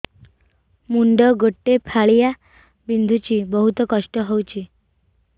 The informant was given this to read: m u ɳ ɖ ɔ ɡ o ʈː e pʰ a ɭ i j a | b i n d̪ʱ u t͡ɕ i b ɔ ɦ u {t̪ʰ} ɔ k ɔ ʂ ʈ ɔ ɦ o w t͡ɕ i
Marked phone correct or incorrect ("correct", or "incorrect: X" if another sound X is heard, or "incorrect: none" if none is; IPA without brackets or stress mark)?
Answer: incorrect: t̪